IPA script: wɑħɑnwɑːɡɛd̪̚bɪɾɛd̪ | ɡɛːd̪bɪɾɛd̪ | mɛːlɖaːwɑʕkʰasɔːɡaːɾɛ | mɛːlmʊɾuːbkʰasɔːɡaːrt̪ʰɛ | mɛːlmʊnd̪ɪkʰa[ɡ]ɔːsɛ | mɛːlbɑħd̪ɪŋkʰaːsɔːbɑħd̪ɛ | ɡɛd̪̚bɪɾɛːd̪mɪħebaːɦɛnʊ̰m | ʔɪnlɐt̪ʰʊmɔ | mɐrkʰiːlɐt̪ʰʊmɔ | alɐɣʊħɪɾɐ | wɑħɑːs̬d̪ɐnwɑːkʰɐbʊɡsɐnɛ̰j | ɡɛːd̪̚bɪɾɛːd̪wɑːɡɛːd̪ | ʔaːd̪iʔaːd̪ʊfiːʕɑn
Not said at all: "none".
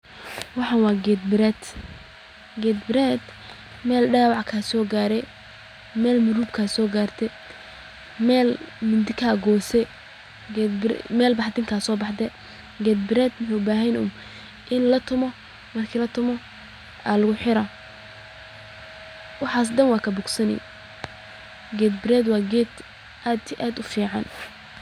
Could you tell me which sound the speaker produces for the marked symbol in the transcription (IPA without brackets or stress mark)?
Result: ɡ